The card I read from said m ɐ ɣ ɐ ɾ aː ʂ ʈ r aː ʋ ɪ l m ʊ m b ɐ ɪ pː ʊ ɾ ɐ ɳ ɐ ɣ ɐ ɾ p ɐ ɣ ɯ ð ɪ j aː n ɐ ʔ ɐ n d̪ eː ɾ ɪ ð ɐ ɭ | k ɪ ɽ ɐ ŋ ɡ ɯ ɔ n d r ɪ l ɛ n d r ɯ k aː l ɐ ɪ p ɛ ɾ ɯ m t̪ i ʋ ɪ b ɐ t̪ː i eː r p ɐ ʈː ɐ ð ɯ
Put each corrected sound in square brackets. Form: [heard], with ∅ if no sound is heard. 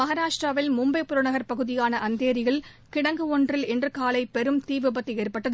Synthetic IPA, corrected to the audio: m ɐ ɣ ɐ ɾ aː ʂ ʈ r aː ʋ ɪ l m ʊ m b ɐ ɪ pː ʊ ɾ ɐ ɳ ɐ ɣ ɐ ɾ p ɐ ɣ ɯ ð ɪ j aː n ɐ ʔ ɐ n d̪ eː ɾ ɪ [ɣ] ɐ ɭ | k ɪ ɽ ɐ ŋ ɡ ɯ ɔ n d r ɪ l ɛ n d r ɯ k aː l ɐ ɪ p ɛ ɾ ɯ m t̪ [iː] ʋ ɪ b ɐ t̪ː i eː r p ɐ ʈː ɐ ð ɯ